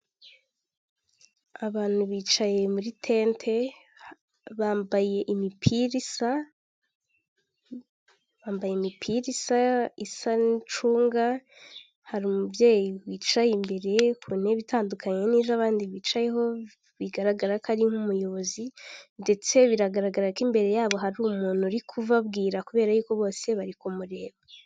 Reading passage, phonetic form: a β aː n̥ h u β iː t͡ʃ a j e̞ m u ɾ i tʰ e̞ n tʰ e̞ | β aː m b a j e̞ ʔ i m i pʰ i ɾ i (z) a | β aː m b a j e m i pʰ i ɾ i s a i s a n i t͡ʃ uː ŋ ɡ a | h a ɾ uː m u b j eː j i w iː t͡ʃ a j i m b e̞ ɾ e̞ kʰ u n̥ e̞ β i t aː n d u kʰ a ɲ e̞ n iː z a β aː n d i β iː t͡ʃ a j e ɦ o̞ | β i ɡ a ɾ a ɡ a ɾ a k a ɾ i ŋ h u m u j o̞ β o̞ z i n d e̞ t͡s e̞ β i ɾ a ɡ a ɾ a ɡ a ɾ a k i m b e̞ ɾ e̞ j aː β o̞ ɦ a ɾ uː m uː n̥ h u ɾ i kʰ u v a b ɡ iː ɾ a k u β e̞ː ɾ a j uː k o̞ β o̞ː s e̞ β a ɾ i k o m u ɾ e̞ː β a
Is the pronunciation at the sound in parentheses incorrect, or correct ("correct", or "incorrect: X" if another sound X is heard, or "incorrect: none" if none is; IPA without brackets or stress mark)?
incorrect: s